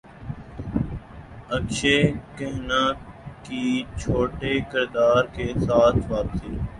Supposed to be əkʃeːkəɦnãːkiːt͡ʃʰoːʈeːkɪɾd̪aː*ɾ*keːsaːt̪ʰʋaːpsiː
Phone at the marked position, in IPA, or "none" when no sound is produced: ɾ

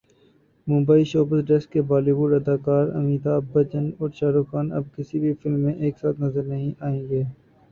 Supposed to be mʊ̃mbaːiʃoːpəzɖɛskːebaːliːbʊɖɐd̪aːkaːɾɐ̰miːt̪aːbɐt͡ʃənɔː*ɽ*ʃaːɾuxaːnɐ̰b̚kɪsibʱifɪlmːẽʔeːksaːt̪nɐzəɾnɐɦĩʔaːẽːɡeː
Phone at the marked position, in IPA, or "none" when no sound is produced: ɾ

